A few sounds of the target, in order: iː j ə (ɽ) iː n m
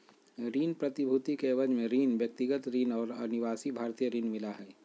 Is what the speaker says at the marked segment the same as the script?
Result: no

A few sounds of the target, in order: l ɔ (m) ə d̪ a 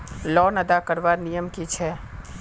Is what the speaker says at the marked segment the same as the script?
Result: no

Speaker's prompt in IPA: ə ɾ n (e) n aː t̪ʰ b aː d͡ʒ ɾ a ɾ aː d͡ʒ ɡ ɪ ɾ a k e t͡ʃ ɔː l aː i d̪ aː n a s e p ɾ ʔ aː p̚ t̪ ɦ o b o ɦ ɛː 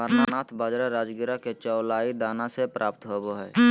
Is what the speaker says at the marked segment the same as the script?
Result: no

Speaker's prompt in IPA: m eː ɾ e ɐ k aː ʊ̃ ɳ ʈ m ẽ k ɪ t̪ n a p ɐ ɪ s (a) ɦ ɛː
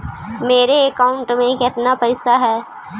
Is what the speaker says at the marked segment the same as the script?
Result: yes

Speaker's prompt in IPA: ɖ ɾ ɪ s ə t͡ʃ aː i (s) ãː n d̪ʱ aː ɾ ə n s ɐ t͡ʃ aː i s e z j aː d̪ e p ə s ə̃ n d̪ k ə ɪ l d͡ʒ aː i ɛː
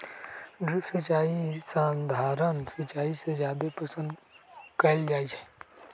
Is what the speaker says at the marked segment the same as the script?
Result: yes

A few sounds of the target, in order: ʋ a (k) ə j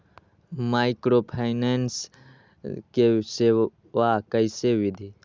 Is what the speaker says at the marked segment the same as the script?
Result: yes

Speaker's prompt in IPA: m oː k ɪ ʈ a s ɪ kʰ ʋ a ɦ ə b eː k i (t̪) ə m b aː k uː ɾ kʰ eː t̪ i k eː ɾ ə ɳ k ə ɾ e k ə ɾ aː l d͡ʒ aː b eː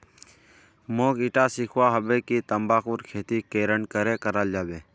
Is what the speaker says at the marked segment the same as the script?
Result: yes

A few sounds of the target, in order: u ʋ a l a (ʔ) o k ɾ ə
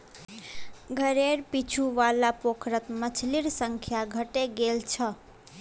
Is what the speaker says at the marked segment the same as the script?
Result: no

